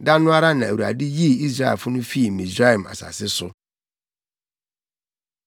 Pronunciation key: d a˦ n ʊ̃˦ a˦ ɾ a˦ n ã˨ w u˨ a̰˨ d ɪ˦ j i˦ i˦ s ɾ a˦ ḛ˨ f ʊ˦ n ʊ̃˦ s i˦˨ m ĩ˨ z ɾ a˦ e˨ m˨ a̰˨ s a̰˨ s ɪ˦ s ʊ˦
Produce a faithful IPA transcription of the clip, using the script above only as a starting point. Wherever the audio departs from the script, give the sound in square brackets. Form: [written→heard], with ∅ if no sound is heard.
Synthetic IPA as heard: d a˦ n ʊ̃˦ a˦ ɾ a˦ n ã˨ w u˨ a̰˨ d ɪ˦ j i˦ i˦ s ɾ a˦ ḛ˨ f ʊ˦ n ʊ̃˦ [s→f] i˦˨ m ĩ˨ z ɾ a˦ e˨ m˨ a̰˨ s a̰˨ s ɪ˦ s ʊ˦